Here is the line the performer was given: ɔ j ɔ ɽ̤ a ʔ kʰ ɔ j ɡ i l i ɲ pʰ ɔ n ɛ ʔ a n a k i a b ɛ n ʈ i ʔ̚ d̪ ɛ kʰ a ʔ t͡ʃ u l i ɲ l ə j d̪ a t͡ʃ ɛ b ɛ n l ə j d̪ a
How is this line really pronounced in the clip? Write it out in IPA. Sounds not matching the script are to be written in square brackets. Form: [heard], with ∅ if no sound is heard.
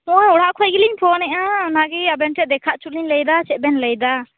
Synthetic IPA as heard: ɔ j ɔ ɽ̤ a ʔ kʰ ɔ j ɡ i l i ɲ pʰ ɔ n ɛ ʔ a n a [ɡ] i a b ɛ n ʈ [ɛ] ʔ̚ d̪ ɛ kʰ a ʔ t͡ʃ u l i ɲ l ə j d̪ a t͡ʃ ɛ b ɛ n l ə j d̪ a